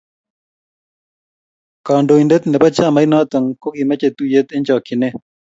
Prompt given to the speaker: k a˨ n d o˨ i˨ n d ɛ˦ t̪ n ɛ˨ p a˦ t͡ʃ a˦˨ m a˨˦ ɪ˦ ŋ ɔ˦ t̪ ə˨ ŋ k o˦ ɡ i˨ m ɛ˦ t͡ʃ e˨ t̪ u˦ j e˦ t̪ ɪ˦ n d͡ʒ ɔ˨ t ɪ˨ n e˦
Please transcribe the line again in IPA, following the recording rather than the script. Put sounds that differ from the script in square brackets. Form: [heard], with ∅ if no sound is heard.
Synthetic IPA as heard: k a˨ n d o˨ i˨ n d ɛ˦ t̪ n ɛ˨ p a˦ t͡ʃ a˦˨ m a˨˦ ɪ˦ [n] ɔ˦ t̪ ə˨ ŋ k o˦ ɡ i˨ m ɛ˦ t͡ʃ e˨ t̪ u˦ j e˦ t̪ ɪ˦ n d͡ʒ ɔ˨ [k] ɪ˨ n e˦

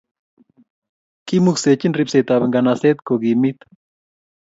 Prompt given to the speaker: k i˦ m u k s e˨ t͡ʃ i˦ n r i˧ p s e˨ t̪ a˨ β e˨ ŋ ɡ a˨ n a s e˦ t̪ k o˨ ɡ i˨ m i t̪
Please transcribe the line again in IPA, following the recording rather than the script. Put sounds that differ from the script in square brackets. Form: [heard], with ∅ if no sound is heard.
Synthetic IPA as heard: k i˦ m u k s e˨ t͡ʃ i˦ n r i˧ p s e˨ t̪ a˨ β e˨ ŋ ɡ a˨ n a s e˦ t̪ k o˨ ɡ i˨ m i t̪

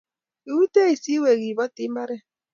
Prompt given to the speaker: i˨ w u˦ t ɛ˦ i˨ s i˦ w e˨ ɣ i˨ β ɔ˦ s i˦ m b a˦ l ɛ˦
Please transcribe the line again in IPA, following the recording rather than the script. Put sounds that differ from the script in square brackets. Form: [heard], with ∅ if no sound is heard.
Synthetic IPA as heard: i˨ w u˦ t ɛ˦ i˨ s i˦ w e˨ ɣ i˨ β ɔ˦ [t] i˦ m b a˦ [ɾ] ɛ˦

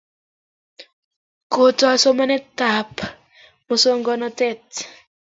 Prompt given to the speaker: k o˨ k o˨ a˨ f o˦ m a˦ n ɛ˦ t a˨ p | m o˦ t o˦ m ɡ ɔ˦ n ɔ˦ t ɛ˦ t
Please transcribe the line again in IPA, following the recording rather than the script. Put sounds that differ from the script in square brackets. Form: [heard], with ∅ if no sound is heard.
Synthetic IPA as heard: k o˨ [t] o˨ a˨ [s] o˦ m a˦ n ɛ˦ t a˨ p | m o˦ [s] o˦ [ŋ] ɡ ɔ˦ n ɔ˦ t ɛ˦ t

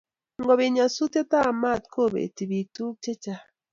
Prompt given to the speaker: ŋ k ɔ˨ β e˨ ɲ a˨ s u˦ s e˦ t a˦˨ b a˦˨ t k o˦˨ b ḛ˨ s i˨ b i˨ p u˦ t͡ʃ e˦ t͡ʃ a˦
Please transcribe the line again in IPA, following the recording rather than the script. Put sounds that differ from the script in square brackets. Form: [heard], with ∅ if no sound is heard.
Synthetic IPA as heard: ŋ [ɡ] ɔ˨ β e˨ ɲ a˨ s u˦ [t] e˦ t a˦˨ [m] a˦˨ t k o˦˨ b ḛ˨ [t] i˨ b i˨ [t] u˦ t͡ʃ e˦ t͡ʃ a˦

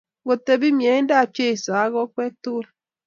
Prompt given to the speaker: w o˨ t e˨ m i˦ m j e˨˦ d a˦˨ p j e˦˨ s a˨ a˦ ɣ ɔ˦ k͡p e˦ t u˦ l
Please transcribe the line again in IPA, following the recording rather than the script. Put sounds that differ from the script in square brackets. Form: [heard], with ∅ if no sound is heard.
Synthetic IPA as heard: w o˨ t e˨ [b] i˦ m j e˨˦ d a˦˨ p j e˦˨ s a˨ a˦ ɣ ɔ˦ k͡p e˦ t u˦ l

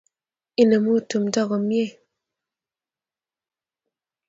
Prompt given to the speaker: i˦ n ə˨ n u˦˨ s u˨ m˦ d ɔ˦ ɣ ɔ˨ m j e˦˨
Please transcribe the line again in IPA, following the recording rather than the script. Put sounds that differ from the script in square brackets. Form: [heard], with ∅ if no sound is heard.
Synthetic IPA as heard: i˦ n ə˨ [m] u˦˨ [t] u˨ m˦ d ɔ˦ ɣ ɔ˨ m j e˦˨

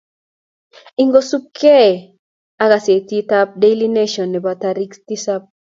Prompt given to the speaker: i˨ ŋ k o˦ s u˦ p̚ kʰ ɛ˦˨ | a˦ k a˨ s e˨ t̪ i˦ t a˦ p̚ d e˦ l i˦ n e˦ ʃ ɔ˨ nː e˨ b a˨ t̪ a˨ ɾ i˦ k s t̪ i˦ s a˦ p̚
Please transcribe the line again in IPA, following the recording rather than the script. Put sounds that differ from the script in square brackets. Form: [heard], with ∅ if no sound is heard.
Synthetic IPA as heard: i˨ ŋ [ɡ] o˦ s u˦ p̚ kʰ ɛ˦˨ | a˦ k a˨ s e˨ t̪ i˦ t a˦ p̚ d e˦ l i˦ n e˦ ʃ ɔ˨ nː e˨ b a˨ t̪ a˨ ɾ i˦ k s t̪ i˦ s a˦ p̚

